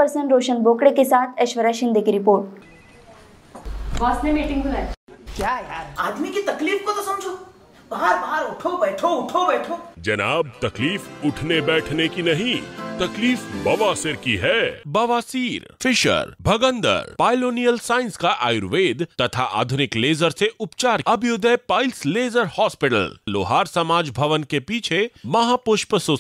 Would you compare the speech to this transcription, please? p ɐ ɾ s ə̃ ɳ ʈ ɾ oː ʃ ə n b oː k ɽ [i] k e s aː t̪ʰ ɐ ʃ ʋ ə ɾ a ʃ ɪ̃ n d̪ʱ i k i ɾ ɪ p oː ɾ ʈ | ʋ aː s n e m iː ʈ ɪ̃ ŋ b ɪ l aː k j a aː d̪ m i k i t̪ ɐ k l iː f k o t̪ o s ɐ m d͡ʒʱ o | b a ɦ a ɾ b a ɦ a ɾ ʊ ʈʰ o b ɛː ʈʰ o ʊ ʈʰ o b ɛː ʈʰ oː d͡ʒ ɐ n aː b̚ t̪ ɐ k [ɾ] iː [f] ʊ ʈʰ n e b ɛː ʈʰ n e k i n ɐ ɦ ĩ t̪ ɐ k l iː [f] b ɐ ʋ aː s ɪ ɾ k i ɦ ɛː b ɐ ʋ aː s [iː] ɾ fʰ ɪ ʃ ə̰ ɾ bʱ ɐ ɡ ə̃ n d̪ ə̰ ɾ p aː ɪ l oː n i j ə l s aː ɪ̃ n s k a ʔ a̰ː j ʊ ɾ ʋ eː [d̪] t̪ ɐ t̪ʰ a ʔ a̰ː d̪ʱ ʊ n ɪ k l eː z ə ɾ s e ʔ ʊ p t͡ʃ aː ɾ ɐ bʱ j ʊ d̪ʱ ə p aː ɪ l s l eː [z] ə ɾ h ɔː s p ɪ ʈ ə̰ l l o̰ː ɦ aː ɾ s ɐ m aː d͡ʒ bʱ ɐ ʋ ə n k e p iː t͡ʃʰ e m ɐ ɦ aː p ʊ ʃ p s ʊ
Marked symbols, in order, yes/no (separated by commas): no, no, yes, yes, yes, yes, yes